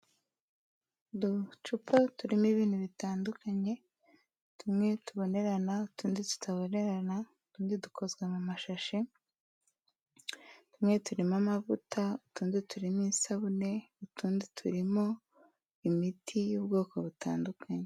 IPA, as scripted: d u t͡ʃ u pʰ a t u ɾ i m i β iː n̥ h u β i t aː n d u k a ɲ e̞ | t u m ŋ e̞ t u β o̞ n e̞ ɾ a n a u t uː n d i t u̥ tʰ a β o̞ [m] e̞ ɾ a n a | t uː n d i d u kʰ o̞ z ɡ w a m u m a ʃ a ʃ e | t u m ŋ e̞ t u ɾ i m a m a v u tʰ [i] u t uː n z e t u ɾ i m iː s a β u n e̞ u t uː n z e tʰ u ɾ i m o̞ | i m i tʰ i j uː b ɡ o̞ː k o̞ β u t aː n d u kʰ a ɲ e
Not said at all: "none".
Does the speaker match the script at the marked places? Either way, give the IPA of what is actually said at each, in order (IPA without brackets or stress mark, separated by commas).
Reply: n, a